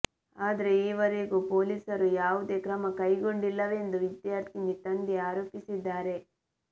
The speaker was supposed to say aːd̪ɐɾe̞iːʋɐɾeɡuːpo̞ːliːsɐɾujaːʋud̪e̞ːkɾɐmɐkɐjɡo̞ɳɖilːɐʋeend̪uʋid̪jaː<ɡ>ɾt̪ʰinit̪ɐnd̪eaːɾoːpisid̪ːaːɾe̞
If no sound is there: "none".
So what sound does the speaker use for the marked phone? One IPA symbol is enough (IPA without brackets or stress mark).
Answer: none